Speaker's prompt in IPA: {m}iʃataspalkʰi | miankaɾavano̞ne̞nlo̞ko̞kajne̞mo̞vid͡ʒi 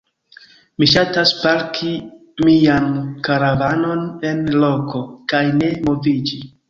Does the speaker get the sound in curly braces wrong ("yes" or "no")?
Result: no